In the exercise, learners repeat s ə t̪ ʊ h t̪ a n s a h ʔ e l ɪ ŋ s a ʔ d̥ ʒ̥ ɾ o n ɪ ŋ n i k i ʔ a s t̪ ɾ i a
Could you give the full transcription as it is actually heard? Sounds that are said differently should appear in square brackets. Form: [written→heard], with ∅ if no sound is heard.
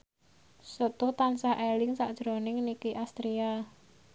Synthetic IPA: s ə t̪ ʊ h t̪ a n s a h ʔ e l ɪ ŋ s a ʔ d̥ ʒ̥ ɾ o n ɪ ŋ n i k i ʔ a s t̪ ɾ i a